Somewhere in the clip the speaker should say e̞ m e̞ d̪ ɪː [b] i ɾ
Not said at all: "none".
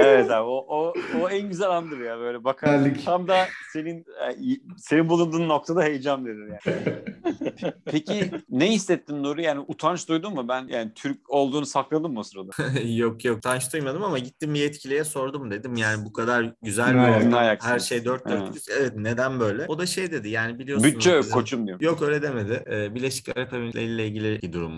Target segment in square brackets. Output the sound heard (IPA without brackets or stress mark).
b